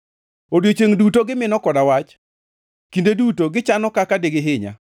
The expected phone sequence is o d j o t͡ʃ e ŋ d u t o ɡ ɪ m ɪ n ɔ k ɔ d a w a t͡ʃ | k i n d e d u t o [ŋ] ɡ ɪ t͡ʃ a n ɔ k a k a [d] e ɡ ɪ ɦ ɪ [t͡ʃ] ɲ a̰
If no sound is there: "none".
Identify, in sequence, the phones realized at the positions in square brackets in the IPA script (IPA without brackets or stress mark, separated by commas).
none, d, none